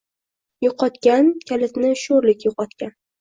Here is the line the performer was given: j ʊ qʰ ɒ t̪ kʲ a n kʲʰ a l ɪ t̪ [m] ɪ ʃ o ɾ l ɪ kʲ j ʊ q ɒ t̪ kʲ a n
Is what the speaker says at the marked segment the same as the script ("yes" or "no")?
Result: no